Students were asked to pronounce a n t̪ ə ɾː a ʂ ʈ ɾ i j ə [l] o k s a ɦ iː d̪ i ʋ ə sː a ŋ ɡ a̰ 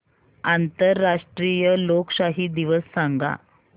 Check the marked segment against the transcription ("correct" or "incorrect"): correct